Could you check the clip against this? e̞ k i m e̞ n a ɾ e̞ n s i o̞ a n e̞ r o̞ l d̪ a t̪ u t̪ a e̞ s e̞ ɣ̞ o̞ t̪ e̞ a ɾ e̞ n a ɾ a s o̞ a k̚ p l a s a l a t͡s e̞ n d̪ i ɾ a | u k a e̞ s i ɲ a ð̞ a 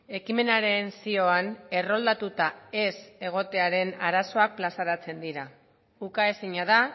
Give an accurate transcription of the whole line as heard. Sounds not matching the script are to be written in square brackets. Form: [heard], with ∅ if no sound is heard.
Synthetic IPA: e̞ k i m e̞ n a ɾ e̞ n s i o̞ a n e̞ r o̞ l d̪ a t̪ u t̪ a e̞ s e̞ ɣ̞ o̞ t̪ e̞ a ɾ e̞ n a ɾ a s o̞ a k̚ p l a s a [ɾ] a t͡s e̞ n d̪ i ɾ a | u k a e̞ s i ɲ a ð̞ a